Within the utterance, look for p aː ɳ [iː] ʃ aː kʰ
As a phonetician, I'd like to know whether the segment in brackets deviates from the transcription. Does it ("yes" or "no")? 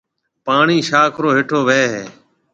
no